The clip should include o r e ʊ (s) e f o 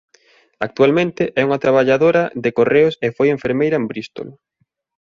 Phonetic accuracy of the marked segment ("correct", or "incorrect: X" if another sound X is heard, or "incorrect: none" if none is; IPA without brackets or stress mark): correct